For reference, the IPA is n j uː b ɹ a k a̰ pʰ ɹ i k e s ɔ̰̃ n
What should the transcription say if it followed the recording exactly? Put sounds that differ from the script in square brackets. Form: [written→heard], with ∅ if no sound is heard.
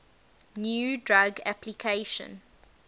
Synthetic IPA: n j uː [b→d] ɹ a [k→ɡ] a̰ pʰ [ɹ→l] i [k→kʰ] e [s→ʃ] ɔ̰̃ n